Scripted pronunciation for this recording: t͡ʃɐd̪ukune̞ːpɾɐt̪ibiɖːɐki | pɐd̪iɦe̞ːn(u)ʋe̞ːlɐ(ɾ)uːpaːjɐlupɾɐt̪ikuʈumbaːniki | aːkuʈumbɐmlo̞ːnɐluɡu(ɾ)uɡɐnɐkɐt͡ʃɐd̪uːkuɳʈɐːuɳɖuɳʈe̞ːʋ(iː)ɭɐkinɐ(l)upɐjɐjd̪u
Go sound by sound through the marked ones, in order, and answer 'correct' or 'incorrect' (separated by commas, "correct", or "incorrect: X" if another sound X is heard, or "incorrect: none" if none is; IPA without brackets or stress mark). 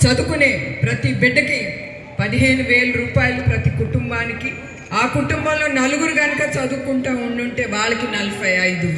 correct, correct, correct, incorrect: aː, correct